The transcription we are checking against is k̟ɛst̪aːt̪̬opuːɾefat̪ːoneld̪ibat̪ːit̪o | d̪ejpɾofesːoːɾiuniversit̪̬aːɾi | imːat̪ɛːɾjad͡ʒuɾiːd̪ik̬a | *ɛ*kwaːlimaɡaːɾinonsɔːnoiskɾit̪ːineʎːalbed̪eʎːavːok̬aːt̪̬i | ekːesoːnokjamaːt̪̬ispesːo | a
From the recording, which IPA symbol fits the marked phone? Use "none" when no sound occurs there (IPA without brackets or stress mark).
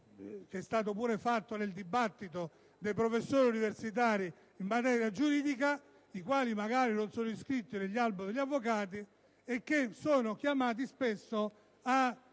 i